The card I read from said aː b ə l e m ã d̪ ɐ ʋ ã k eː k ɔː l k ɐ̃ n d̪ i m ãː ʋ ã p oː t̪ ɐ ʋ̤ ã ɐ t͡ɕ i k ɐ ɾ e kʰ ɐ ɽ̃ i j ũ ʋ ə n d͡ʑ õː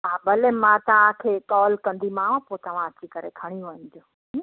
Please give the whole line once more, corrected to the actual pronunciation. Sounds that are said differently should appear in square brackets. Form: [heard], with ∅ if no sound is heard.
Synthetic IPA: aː b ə l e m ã [t̪] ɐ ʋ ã [kʰ] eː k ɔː l k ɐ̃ n d̪ i m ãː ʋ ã p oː t̪ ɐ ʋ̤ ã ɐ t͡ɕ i k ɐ ɾ e kʰ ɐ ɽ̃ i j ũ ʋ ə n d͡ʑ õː